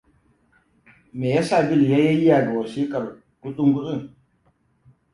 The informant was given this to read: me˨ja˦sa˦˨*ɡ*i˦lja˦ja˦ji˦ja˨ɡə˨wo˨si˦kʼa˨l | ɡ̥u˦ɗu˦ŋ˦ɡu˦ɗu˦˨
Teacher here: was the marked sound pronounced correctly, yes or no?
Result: no